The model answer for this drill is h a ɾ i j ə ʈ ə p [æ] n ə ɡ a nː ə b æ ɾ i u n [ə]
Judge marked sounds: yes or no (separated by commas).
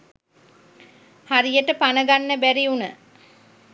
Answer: no, yes